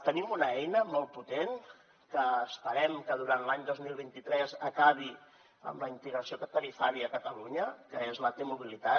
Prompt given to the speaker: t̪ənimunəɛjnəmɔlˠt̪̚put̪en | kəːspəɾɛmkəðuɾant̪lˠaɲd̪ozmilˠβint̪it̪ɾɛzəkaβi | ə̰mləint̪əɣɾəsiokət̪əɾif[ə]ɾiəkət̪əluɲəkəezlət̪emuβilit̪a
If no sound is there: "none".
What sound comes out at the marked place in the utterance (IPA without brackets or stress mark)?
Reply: a